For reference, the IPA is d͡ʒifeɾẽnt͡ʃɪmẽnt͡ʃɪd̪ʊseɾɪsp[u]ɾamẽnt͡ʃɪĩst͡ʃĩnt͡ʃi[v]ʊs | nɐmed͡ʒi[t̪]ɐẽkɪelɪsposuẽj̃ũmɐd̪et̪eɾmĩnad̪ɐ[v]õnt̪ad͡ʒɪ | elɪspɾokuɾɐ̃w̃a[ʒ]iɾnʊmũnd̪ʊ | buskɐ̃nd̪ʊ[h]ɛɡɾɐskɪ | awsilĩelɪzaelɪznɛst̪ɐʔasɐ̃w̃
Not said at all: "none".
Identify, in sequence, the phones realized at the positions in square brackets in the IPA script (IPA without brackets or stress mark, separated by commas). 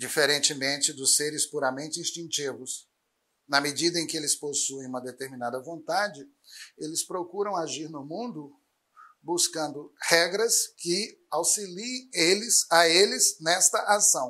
u, v, d̪, v, ʒ, h